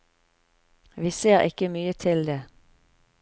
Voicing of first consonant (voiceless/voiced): voiced